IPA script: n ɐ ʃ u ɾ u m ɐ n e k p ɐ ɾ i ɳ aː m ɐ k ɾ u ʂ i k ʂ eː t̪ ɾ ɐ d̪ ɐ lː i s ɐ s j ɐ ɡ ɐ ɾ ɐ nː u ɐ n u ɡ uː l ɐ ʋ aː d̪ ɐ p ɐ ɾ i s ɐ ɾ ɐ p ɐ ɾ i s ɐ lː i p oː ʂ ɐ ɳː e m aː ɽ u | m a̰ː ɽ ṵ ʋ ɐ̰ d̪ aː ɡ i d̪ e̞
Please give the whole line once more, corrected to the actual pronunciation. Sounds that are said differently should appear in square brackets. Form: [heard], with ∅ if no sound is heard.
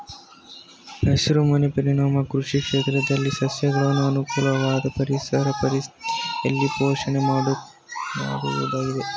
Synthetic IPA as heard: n ɐ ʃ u ɾ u m ɐ n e [∅] p ɐ ɾ i ɳ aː m ɐ k ɾ u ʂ i k ʂ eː t̪ ɾ ɐ d̪ ɐ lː i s ɐ s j ɐ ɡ ɐ [ɭ] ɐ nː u ɐ n u [k] uː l ɐ ʋ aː d̪ ɐ p ɐ ɾ i s ɐ ɾ ɐ p ɐ ɾ i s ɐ lː i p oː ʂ ɐ [ɳ] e m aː ɽ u | m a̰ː ɽ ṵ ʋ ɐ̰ d̪ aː ɡ i d̪ e̞